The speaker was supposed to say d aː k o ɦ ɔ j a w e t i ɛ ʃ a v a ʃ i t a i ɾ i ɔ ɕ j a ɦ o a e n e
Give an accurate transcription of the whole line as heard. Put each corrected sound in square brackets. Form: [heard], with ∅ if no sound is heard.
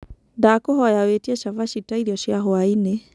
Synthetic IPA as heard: d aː k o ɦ ɔ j a w e t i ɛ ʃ a v a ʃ i t a i ɾ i ɔ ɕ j a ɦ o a [i] n e

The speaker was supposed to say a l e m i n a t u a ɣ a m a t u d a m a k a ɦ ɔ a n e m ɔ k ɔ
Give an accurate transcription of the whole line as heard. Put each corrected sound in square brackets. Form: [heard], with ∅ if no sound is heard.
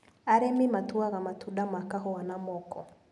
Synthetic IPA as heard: a [ɾ] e m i [m] a t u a ɣ a m a t u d a m a k a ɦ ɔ a n [a] m ɔ k ɔ

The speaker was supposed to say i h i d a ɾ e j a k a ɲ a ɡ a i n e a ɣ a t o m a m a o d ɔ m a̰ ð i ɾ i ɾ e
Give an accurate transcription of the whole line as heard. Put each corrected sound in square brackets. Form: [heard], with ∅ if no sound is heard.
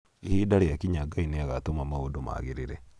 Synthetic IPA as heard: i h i d a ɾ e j a k [i] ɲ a ɡ a i n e a ɣ a t o m a m a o d [o] m a̰ [ɣ] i ɾ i ɾ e

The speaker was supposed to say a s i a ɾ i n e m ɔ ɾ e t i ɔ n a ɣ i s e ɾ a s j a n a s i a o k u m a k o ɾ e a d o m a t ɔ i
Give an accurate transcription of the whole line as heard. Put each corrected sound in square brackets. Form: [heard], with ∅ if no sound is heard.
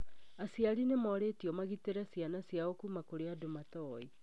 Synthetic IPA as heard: a s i a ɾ i n e m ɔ ɾ e t i ɔ [m] a ɣ i [t] e ɾ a s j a n a s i a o k u m a k o ɾ e a d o m a t ɔ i

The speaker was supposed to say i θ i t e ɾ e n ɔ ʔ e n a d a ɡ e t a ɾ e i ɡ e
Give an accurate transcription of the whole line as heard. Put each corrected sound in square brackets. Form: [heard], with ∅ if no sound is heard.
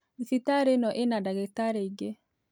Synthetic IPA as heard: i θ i t [a] ɾ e n ɔ ʔ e n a d a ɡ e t a ɾ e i ɡ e

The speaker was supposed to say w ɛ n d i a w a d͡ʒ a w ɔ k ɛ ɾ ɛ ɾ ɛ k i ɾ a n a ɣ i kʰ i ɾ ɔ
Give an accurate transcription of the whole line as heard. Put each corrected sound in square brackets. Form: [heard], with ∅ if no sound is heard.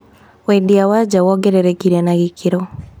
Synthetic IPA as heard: w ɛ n d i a w a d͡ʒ a w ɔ [ɡ] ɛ ɾ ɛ ɾ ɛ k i ɾ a n a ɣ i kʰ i ɾ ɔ

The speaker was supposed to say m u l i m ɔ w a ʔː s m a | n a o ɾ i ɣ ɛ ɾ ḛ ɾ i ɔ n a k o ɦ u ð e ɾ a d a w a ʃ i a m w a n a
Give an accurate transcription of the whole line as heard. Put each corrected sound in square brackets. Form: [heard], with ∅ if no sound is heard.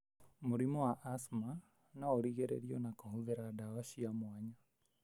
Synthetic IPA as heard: m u [ɾ] i m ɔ w a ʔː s m a | n a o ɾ i ɣ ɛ ɾ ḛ ɾ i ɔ n a k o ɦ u ð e ɾ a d a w a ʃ i a m w a [ɲ] a

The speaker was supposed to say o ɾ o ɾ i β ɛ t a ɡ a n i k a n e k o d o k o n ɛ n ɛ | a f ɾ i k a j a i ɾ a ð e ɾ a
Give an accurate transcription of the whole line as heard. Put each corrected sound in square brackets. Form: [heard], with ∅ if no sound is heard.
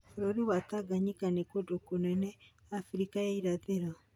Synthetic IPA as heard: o ɾ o ɾ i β [a] t a ɡ a [ɲ] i k a n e k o d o k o n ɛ n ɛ | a f ɾ i k a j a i ɾ a ð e ɾ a

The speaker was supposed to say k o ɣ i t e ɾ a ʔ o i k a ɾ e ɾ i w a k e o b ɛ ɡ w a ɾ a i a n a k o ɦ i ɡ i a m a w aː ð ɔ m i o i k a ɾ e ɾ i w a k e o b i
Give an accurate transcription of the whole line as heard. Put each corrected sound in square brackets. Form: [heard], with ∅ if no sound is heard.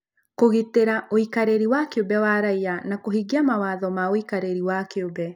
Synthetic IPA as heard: k o ɣ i t e ɾ a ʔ o i k a ɾ e ɾ i w a k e o b ɛ [∅] w a ɾ a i a n a k o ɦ i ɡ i a m a w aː ð ɔ m [a] o i k a ɾ e ɾ i w a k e o b [ɛ]

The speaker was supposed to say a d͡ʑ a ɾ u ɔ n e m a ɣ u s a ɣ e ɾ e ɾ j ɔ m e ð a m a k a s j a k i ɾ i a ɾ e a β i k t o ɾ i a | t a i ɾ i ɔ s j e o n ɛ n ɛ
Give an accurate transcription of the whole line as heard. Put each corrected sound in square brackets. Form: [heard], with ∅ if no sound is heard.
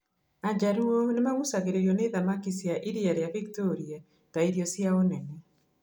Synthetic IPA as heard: a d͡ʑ a ɾ u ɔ n e m a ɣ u s a ɣ e ɾ e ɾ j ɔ [n] e ð a m a k [i] s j a [ʔ] i ɾ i a ɾ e a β i k t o ɾ i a | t a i ɾ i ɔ s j [a] o n ɛ n ɛ

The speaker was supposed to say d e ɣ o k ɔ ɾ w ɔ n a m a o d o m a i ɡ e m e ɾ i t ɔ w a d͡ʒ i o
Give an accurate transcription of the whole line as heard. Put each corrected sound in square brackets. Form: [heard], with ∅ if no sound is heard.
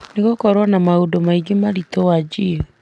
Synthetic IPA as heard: [n] e ɣ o k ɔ ɾ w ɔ n a m a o d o m a i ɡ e m [a] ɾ i t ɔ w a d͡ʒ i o

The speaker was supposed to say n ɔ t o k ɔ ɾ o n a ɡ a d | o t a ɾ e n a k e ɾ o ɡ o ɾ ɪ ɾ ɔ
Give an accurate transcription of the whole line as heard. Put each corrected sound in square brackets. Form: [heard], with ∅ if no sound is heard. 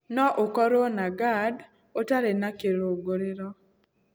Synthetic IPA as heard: n ɔ [ʔ] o k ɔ ɾ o n a ɡ a d | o t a ɾ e n a k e ɾ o ɡ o ɾ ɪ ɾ ɔ

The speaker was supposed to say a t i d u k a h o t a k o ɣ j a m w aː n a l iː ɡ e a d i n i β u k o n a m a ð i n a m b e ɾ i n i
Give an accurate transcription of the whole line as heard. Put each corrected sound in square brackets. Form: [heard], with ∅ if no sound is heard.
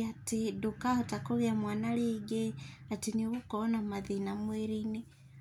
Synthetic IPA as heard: a t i d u k a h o t a k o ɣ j a m w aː n a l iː ɡ e a [t] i n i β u k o n a m a ð i n a m [w] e ɾ i n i

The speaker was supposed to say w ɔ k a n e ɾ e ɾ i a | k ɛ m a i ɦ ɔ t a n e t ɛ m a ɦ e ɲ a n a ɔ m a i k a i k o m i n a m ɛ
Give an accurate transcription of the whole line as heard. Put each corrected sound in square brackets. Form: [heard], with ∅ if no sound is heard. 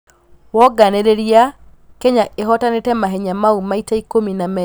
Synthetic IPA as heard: w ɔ [ɡ] a n e ɾ e ɾ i a | k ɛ [ɲ] a [e] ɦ ɔ t a n e t ɛ m a ɦ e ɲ a [m] a [u] m a i [t] a i k o m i n a m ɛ

